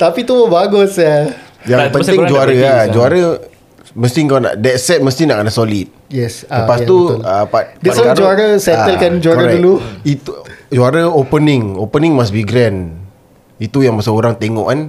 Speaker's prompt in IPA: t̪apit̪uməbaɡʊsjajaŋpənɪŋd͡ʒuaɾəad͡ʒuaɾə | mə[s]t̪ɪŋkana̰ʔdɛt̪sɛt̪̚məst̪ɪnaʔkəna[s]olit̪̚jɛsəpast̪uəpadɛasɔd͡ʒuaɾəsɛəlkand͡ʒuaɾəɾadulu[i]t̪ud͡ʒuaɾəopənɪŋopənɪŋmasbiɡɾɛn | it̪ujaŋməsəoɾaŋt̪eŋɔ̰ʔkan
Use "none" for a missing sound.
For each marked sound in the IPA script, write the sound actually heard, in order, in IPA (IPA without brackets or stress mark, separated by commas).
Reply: s, s, i